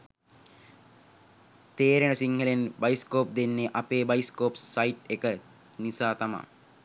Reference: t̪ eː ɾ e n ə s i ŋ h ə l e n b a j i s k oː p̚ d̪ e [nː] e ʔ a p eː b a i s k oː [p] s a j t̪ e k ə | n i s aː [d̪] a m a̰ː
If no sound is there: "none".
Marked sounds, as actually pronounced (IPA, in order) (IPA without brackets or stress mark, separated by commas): nː, p, t̪